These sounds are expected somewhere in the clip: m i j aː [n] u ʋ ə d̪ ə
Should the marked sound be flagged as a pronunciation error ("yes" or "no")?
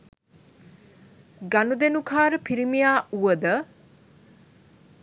yes